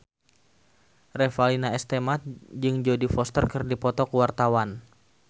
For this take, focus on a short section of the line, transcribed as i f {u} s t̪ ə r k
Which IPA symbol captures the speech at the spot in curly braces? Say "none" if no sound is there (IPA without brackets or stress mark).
ɔ